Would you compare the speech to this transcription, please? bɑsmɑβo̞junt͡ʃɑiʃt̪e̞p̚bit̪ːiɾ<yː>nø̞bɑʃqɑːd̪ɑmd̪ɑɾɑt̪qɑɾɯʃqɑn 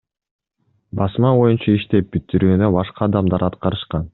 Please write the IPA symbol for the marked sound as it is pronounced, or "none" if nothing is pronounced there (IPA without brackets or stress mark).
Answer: yː